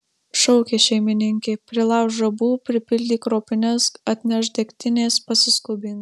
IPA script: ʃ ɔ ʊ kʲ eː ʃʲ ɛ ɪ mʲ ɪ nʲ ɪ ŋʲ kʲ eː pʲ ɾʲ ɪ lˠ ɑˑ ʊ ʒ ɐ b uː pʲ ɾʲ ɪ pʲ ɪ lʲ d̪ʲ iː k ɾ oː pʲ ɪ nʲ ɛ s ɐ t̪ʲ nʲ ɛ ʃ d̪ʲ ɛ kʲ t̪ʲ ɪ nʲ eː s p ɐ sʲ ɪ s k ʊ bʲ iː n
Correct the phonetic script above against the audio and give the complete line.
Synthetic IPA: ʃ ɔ ʊ kʲ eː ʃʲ ɛ ɪ mʲ ɪ nʲ ɪ ŋʲ kʲ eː pʲ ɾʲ ɪ lˠ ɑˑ ʊ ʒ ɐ b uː pʲ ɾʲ ɪ pʲ ɪ lʲ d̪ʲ iː k ɾ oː pʲ ɪ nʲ ɛ s ɐ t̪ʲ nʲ ɛ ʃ d̪ʲ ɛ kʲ t̪ʲ ɪ nʲ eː s p ɐ sʲ ɪ s k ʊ bʲ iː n